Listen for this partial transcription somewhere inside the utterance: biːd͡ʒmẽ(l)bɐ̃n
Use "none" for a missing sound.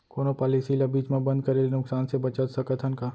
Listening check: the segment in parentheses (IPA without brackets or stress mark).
none